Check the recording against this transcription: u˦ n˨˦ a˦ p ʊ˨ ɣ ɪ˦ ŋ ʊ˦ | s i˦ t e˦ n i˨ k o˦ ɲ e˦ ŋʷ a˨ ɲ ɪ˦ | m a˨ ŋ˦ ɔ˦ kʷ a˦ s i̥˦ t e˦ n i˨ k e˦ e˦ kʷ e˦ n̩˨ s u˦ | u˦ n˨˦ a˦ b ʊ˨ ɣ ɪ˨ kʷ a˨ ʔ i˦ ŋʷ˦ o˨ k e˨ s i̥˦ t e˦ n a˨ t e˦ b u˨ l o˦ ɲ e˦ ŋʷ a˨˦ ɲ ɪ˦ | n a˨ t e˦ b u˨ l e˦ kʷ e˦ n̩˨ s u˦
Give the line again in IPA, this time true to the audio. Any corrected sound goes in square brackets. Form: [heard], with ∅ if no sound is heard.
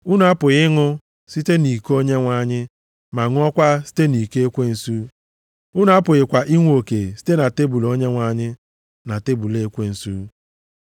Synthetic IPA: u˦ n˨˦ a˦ p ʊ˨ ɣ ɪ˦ ŋ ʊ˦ | s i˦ t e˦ n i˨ k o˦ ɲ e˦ ŋʷ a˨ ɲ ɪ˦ | m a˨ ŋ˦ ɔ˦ kʷ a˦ s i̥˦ t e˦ n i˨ k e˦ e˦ kʷ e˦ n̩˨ s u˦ | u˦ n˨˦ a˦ [p] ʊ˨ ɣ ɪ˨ kʷ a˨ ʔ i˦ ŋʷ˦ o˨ k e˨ s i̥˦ t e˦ n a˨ t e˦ b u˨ l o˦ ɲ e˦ ŋʷ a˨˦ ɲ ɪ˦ | n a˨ t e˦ b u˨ l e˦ kʷ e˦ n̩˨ s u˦

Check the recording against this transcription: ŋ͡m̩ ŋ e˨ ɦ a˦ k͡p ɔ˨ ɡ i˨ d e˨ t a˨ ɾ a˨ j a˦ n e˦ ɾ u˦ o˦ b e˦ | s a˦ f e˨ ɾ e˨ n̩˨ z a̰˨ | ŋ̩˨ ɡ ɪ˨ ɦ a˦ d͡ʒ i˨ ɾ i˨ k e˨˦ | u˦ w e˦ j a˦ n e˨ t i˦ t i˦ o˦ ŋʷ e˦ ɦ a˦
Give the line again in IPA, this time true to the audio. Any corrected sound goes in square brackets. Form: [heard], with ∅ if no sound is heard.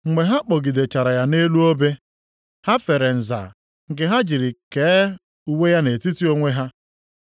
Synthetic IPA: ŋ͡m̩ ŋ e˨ ɦ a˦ k͡p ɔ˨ ɡ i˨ d e˨ [t͡ʃ] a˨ ɾ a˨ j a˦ n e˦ [l] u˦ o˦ b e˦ | [h] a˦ f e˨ ɾ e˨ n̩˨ z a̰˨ | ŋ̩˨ ɡ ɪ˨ ɦ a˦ d͡ʒ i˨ ɾ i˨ k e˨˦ | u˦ w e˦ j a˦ n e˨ t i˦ t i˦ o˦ ŋʷ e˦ ɦ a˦

